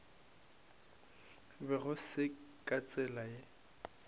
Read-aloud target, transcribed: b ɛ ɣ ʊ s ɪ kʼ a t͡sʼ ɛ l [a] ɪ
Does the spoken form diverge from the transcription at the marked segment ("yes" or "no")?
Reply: no